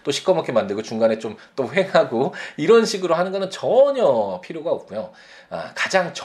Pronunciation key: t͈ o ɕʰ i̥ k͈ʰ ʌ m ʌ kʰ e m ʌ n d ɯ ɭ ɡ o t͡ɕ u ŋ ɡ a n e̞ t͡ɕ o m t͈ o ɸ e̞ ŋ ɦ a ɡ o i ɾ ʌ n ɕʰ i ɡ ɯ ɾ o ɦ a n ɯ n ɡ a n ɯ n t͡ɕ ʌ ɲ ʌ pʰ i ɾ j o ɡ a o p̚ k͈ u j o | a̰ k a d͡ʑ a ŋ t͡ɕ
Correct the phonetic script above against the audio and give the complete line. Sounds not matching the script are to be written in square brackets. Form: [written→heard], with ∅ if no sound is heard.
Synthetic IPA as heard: t͈ o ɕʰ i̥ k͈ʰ ʌ m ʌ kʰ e m [ʌ→a] n d ɯ ɭ ɡ o t͡ɕ u ŋ ɡ a n e̞ t͡ɕ o m t͈ o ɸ e̞ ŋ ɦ a ɡ o i ɾ ʌ n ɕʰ i ɡ ɯ ɾ o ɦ a n ɯ n ɡ [a→ʌ] n ɯ n t͡ɕ ʌ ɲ ʌ pʰ i ɾ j o ɡ a o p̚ k͈ u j o | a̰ k a d͡ʑ a ŋ t͡ɕ